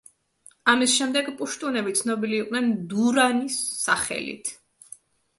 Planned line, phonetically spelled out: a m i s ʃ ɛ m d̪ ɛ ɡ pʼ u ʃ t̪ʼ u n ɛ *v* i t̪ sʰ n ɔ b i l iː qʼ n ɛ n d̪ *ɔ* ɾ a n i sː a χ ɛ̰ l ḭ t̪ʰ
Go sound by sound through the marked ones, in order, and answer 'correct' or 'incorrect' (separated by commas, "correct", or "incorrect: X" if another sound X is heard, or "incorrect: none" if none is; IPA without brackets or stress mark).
incorrect: b, incorrect: u